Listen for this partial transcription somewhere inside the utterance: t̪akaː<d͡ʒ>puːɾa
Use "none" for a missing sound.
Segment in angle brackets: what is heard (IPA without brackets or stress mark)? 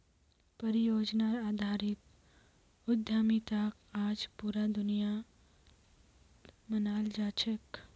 d͡ʒ